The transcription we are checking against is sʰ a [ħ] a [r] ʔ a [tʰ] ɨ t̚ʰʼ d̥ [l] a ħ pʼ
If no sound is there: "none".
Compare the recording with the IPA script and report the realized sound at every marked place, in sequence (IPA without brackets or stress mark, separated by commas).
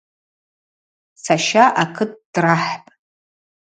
ʃ, none, kʰ, r